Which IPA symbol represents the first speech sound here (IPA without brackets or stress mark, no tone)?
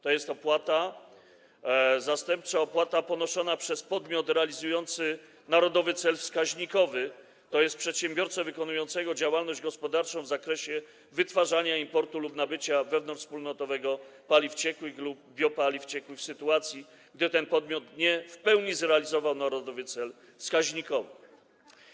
t̪